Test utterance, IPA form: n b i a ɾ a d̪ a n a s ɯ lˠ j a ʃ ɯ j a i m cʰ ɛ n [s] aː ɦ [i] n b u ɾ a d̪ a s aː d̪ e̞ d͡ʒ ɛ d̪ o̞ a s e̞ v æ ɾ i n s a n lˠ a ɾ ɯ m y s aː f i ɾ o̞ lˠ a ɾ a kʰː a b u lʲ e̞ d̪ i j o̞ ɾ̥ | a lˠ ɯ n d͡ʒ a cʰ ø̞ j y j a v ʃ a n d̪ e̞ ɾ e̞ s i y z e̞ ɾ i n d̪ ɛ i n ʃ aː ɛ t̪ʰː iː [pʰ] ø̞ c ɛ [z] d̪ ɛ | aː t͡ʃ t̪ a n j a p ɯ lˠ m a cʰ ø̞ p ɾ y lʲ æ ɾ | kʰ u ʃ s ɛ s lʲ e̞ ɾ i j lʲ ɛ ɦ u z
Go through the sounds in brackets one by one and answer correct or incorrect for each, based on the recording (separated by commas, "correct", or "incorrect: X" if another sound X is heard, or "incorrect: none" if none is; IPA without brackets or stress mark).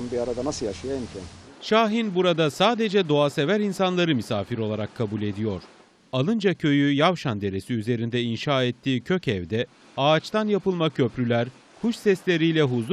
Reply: incorrect: ʃ, correct, incorrect: cʰ, incorrect: v